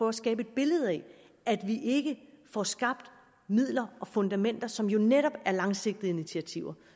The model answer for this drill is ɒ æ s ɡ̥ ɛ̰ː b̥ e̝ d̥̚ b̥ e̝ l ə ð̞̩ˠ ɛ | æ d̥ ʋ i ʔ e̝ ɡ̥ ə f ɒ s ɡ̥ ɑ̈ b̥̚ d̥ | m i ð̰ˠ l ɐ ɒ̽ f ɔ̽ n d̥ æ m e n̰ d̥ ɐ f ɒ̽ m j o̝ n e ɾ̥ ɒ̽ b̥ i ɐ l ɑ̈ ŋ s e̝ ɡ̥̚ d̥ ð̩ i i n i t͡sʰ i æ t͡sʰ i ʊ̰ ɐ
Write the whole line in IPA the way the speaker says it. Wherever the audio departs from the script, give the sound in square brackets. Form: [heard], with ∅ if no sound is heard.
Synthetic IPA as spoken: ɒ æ s ɡ̥ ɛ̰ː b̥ e̝ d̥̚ b̥ e̝ l ə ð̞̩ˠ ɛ | æ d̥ ʋ i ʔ e̝ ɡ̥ ə f ɒ s ɡ̥ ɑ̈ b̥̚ d̥ | m i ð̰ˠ l ɐ ɒ̽ f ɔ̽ n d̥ æ m e n̰ d̥ ɐ [s] ɒ̽ m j o̝ n e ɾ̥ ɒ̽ b̥ [æ] ɐ l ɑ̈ ŋ s e̝ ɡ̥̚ d̥ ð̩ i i n i t͡sʰ i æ t͡sʰ i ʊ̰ ɐ